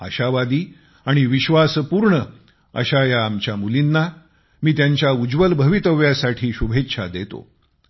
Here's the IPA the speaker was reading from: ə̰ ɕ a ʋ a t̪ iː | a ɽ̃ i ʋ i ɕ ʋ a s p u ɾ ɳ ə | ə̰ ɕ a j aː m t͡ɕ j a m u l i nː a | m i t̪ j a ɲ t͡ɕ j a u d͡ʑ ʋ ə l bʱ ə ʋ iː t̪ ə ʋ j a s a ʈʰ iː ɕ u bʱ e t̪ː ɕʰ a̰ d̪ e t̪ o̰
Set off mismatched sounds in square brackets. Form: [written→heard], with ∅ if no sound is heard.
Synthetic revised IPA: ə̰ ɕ a ʋ a [t̪→d̪] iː | a ɽ̃ i ʋ i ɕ ʋ a s p u ɾ ɳ ə | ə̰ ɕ a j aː m t͡ɕ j a m u l i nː a | m [i→iː] t̪ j a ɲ t͡ɕ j a u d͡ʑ ʋ ə l bʱ ə ʋ [iː→i] t̪ ə ʋ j a s a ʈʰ iː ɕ u bʱ e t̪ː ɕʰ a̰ d̪ e t̪ o̰